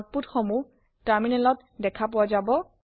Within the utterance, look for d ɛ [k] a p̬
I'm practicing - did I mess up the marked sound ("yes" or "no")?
yes